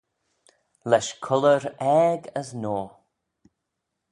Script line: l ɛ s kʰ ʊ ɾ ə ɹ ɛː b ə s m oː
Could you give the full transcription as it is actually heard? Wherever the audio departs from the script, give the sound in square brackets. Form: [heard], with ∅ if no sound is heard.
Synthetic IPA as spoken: l ɛ [ʃ] kʰ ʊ [l] ə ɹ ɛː [ɡ] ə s [n] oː